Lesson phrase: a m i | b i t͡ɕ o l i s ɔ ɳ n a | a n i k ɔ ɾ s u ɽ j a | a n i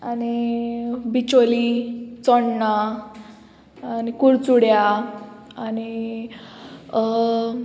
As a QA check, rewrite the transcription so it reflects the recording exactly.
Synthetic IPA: a n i | b i t͡ɕ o l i t͡s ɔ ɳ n a | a n i k u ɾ t͡s u ɽ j a | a n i